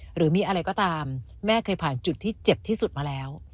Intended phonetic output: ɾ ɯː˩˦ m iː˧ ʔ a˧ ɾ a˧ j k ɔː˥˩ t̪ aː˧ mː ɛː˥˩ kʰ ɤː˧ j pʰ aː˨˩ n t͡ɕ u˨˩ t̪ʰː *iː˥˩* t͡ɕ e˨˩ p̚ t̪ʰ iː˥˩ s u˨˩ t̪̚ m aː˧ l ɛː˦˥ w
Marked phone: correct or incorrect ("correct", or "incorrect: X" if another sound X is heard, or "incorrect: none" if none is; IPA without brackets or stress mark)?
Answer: correct